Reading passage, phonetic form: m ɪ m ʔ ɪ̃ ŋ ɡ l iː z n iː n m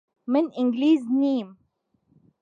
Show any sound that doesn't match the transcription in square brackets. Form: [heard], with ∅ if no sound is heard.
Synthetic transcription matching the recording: m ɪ [n] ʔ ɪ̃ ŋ ɡ l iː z n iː [∅] m